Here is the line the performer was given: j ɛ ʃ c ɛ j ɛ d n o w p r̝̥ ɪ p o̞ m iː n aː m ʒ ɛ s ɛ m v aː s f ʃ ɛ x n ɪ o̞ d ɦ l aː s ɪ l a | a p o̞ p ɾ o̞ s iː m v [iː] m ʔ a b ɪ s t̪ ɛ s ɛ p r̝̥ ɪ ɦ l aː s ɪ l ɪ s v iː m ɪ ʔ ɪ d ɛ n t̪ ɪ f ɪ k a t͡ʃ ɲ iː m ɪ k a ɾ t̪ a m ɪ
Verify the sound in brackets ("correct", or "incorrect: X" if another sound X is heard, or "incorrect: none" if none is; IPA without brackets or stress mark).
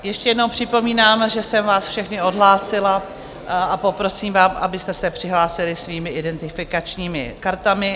incorrect: aː